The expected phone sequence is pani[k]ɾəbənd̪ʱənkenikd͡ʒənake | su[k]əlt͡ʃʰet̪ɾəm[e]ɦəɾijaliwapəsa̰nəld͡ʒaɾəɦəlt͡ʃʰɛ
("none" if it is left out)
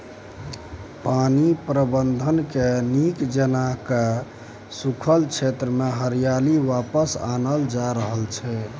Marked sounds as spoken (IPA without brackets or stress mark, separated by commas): p, kʰ, e